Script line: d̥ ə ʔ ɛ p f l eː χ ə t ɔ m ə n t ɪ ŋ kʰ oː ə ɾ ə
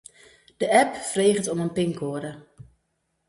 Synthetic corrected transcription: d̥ ə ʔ ɛ p f r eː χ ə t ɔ m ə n p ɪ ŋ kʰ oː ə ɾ ə